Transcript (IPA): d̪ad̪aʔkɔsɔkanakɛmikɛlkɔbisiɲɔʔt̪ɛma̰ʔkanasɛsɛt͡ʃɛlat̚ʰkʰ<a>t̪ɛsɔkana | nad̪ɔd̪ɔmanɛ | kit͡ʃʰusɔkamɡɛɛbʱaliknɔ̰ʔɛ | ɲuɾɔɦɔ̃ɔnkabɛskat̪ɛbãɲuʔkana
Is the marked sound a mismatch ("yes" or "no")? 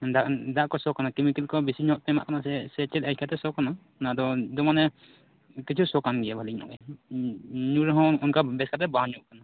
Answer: no